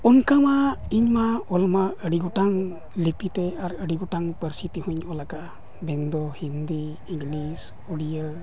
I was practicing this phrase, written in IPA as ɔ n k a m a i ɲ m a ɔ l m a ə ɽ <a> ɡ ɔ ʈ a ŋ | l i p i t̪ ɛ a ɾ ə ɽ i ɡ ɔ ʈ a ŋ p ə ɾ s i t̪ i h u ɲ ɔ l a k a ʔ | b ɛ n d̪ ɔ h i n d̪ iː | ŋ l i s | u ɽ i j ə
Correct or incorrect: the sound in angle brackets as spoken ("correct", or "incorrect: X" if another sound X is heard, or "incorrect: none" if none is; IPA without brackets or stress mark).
incorrect: i